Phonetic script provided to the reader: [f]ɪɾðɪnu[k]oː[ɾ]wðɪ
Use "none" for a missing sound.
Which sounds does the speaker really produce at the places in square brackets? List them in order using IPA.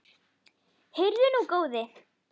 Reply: h, k, none

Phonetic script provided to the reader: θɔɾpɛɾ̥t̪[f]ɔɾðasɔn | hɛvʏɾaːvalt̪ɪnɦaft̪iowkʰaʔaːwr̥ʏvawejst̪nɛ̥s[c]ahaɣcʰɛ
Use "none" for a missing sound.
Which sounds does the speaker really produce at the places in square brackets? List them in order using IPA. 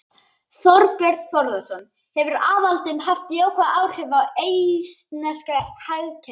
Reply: θ, k

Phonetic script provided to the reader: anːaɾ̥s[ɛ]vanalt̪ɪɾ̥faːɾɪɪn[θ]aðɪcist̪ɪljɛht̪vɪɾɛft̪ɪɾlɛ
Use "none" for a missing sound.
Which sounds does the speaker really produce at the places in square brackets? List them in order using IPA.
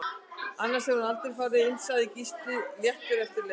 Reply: ɛ, s

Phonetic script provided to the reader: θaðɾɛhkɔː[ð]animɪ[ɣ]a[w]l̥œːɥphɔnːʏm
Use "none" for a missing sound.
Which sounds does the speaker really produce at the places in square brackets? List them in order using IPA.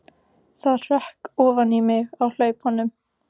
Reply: v, ɣ, w

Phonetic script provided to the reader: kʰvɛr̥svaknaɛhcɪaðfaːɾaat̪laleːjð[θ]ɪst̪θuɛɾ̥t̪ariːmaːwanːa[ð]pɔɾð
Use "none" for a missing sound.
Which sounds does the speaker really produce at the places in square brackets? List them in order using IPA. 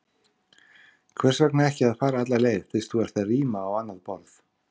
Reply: θ, ð

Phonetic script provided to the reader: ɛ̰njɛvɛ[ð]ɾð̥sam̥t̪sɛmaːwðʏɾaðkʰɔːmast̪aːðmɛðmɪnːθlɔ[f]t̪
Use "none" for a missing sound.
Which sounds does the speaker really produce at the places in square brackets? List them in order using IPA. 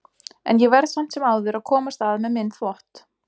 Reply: none, h

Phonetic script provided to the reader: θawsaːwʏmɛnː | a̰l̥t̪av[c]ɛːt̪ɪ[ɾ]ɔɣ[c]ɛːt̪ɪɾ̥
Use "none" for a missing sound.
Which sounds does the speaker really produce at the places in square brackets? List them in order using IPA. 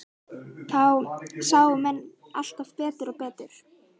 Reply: p, ɾ, p

